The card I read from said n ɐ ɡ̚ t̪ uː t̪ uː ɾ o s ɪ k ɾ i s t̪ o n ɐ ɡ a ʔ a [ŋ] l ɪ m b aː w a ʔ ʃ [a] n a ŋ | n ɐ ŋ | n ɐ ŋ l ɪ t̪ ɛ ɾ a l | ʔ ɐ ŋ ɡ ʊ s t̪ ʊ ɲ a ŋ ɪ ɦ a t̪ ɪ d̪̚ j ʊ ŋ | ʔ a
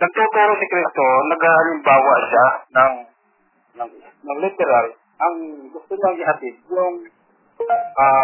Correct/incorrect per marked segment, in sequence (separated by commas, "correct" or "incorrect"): incorrect, correct